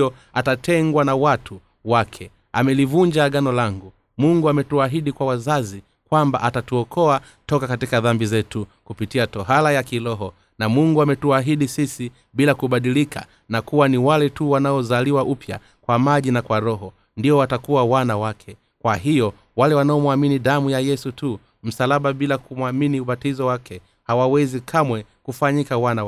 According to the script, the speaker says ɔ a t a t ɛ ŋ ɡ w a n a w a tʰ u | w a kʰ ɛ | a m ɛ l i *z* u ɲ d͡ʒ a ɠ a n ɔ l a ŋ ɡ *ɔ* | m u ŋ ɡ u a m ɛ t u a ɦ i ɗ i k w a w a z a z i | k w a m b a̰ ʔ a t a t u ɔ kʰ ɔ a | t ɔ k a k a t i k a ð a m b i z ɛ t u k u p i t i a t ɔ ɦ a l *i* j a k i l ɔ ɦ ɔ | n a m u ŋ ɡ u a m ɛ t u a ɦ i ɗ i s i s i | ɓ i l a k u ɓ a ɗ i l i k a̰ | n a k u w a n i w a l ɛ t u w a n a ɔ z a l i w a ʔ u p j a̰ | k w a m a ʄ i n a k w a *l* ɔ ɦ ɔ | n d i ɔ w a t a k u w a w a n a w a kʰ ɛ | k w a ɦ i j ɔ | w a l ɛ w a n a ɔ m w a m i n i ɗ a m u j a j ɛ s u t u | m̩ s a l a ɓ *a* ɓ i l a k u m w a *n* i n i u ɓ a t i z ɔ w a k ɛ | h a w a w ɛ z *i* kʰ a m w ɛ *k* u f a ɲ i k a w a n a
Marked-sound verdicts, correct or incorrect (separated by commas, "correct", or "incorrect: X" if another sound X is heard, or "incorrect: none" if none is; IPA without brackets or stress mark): incorrect: v, incorrect: u, incorrect: a, incorrect: ɾ, correct, incorrect: m, correct, correct